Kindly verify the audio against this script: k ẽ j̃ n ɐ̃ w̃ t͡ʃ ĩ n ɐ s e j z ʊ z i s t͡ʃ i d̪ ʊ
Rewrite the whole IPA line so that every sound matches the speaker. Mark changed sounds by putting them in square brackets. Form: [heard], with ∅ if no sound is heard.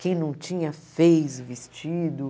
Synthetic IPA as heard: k ẽ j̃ n ɐ̃ w̃ t͡ʃ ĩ [ɲ] ɐ [f] e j z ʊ [v] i s t͡ʃ i d̪ ʊ

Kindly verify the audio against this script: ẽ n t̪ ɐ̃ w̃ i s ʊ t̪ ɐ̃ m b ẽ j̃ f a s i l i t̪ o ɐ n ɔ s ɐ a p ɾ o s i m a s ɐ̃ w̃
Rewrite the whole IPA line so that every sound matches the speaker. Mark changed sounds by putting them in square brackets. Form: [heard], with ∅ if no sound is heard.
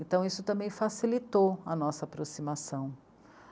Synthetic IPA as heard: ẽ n t̪ ɐ̃ w̃ i s ʊ t̪ ɐ̃ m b ẽ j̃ f a s i l i t̪ o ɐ n ɔ s ɐ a p ɾ o s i m a s ɐ̃ w̃

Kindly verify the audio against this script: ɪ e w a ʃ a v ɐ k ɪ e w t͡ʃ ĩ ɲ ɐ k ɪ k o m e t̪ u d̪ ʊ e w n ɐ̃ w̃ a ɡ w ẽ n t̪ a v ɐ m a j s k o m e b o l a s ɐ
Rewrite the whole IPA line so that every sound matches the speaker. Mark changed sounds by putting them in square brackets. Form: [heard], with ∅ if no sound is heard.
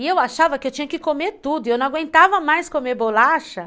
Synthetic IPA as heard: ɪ e w a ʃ a v ɐ k ɪ e w t͡ʃ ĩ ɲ ɐ k ɪ k o m e t̪ u d̪ ʊ e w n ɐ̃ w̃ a ɡ w ẽ n t̪ a v ɐ m a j s k o m e b o l a [ʃ] ɐ

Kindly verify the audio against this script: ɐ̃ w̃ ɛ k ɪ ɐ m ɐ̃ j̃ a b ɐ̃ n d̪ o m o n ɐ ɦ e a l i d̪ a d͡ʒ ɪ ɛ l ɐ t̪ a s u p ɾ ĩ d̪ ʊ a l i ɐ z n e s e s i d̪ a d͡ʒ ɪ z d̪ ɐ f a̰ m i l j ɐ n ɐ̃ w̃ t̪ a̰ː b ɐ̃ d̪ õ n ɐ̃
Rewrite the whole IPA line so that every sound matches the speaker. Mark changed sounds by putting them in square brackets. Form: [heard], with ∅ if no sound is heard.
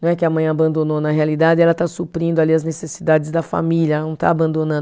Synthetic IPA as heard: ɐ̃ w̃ ɛ k ɪ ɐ m ɐ̃ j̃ a b ɐ̃ n d̪ o [n] o n ɐ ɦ e a l i d̪ a d͡ʒ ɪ ɛ l ɐ t̪ a s u p ɾ ĩ d̪ ʊ a l i ɐ z n e s e s i d̪ a d͡ʒ ɪ z d̪ ɐ f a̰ m i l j ɐ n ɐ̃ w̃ t̪ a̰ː b ɐ̃ d̪ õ n ɐ̃

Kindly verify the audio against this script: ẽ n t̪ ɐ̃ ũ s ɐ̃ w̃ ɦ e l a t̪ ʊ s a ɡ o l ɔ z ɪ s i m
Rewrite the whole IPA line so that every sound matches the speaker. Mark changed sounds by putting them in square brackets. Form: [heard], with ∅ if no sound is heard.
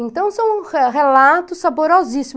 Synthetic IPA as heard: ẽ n t̪ ɐ̃ [w̃] s ɐ̃ w̃ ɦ e l a t̪ ʊ s a [b] o [ɾ] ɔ z [i] s i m

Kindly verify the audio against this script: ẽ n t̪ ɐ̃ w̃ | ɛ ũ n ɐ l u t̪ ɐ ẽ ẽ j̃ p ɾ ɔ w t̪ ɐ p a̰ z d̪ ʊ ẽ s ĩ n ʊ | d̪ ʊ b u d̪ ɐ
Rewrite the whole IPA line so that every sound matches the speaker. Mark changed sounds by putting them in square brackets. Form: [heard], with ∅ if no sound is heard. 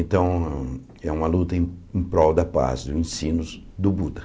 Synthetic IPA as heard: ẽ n t̪ ɐ̃ w̃ | ɛ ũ [m] ɐ l u t̪ ɐ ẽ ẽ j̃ p ɾ ɔ w [d̪] ɐ p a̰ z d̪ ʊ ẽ s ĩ n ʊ | d̪ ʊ b u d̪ ɐ

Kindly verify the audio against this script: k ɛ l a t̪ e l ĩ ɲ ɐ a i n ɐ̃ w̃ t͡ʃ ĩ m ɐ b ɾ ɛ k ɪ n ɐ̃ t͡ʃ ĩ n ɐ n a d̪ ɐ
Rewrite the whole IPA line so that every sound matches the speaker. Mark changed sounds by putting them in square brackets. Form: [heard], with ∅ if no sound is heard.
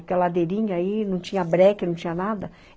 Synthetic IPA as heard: k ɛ l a [d̪] e [ɾ] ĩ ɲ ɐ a i n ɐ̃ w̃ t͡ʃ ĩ [ɲ] ɐ b ɾ ɛ k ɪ n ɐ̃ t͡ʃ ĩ [ɲ] ɐ n a d̪ ɐ

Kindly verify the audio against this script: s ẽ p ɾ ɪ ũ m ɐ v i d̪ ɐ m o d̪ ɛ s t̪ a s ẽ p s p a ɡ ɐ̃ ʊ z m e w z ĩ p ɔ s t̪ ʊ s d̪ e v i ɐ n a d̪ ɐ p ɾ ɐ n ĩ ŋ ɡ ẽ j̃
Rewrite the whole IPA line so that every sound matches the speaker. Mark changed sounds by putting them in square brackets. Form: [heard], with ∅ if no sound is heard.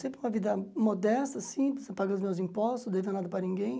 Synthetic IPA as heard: s ẽ p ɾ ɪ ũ m ɐ v i d̪ ɐ m o d̪ ɛ s t̪ [ɐ] s [ĩ] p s p a ɡ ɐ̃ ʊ z m e w z ĩ p ɔ s t̪ ʊ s d̪ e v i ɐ n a d̪ ɐ p ɾ ɐ n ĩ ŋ ɡ ẽ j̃

